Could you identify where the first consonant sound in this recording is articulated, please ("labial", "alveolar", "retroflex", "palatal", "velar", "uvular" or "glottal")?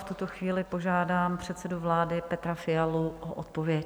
labial